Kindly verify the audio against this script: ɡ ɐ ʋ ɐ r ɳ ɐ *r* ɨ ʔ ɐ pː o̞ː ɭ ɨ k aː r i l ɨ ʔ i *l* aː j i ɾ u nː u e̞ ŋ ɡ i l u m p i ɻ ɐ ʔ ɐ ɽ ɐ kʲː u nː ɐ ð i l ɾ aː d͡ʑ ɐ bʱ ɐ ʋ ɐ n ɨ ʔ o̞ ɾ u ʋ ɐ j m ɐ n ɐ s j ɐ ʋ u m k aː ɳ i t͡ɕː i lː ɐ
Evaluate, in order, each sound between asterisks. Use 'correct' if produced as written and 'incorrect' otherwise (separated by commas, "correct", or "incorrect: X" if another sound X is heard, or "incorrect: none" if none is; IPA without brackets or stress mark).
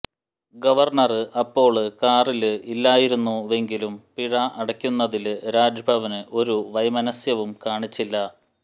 correct, incorrect: lː